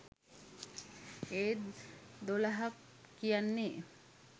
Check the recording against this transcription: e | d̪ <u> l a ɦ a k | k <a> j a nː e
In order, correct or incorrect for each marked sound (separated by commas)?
incorrect, incorrect